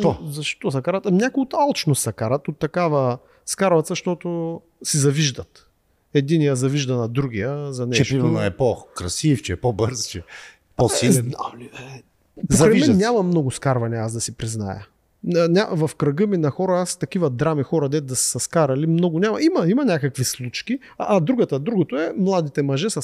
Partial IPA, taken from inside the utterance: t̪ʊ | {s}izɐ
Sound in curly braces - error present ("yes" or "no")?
no